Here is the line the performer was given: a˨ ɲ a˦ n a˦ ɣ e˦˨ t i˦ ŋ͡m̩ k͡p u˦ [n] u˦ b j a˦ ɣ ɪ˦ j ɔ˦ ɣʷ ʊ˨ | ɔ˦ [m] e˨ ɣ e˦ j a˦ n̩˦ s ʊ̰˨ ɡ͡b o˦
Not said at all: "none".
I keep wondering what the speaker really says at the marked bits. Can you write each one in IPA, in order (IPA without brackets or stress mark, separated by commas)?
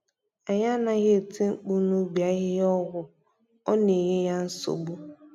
n, n